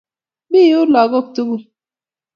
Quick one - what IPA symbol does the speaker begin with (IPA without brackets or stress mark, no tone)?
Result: b